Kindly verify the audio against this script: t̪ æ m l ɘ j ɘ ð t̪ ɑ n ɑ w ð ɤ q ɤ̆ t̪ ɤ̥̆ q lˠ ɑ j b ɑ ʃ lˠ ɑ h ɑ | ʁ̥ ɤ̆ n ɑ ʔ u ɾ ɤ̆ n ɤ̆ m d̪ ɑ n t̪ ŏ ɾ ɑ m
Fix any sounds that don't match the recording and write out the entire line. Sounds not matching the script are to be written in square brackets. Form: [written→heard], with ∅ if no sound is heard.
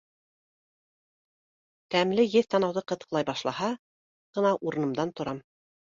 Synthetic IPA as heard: t̪ æ m l ɘ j ɘ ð t̪ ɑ n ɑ w ð ɤ q ɤ̆ t̪ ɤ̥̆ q lˠ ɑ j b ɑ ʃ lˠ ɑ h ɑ | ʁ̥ ɤ̆ n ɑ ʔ u ɾ ɤ̆ n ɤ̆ m d̪ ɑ n t̪ ŏ ɾ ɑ m